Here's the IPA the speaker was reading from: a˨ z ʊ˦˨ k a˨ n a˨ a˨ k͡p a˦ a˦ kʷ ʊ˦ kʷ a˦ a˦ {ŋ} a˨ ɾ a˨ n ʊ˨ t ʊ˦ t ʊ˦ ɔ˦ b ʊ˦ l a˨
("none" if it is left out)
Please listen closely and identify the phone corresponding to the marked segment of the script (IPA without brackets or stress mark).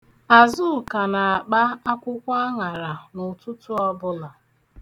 ŋ